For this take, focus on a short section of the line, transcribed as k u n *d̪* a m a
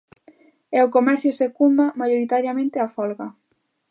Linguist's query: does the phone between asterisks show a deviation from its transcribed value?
no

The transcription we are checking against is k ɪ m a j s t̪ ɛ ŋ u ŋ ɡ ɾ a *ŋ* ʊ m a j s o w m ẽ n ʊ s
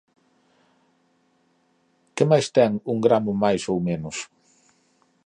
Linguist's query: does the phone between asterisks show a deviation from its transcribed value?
yes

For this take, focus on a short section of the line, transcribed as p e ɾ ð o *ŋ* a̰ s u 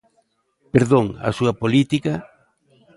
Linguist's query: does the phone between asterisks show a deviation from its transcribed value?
no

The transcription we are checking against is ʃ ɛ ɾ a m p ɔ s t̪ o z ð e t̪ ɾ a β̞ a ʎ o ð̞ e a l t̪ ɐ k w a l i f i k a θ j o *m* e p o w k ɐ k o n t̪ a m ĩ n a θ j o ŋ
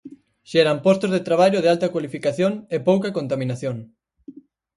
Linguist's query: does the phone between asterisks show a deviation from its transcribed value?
yes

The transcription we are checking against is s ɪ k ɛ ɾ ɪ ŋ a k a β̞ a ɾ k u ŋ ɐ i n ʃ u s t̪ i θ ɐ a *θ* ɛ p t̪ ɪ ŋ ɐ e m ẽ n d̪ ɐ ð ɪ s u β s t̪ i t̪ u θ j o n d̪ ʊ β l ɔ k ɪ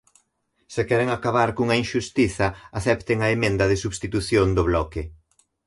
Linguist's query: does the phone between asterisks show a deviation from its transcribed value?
no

